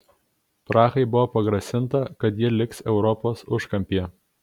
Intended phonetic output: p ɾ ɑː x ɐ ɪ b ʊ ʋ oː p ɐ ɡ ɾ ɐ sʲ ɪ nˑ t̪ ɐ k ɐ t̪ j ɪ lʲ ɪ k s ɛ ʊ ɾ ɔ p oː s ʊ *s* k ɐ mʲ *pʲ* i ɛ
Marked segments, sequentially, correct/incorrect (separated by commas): incorrect, correct